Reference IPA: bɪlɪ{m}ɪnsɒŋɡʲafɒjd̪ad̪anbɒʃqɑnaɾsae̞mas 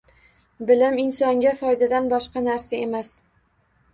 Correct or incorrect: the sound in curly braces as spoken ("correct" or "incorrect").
correct